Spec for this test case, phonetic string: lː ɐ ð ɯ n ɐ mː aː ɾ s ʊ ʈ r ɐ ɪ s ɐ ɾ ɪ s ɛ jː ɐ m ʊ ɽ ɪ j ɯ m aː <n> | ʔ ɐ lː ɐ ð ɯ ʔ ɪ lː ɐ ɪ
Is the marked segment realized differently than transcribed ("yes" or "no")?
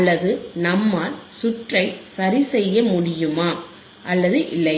yes